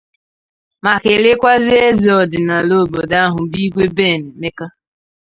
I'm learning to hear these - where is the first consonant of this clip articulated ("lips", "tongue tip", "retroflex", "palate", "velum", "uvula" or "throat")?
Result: lips